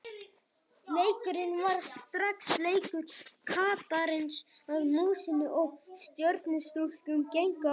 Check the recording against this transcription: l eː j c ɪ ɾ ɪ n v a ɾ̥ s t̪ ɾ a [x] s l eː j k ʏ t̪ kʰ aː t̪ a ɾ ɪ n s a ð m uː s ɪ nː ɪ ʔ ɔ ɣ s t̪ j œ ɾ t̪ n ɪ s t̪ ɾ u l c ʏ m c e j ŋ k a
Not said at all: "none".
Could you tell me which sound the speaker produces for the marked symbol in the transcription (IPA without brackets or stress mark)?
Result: k